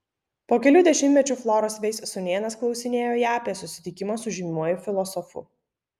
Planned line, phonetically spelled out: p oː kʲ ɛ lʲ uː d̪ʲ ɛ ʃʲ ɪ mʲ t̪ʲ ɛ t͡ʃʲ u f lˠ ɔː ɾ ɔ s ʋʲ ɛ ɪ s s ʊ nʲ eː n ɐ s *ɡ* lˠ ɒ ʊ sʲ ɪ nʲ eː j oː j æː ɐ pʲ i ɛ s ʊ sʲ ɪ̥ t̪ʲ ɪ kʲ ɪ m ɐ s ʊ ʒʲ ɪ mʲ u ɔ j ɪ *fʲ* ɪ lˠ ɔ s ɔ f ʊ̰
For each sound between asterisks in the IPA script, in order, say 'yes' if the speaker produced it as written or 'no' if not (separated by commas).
no, yes